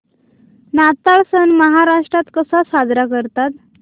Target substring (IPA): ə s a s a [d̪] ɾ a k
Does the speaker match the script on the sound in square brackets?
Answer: yes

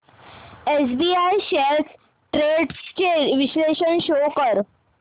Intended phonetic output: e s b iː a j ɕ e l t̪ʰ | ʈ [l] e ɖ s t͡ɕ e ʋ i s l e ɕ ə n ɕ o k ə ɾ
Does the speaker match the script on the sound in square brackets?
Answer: no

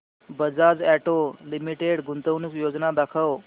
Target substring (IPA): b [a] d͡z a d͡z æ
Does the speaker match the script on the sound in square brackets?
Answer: no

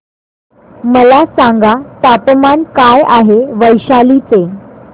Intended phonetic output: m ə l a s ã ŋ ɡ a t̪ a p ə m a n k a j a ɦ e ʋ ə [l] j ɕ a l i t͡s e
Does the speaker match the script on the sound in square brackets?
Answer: no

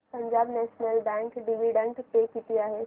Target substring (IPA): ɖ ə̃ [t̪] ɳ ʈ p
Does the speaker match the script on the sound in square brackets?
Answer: no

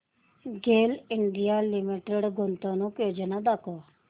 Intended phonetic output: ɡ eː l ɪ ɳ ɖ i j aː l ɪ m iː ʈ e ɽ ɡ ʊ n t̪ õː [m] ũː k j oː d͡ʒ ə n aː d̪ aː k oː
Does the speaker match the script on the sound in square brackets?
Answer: no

